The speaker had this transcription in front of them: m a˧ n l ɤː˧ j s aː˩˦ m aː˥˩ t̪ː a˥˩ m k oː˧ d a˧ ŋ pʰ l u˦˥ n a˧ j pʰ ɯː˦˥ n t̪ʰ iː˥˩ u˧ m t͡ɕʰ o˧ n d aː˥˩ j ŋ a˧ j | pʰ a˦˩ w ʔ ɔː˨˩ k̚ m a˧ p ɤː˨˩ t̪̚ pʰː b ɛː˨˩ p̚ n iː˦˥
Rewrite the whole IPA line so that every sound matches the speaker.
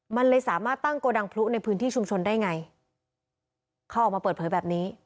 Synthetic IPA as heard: m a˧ n l ɤː˧ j s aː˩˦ m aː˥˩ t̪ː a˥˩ ŋ k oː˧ d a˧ ŋ pʰ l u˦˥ n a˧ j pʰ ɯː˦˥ n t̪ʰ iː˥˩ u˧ m t͡ɕʰ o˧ n d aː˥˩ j ŋ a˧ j | kʰ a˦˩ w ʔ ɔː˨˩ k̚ m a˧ p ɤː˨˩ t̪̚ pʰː b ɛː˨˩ p̚ n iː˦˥